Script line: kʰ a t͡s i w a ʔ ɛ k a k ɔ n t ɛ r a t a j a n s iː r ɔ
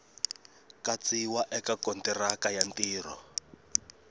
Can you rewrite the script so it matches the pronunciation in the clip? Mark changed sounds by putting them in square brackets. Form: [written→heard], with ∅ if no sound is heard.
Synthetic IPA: [kʰ→k] a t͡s i w a ʔ ɛ k a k ɔ n t ɛ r a [t→k] a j a n [s→t] iː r ɔ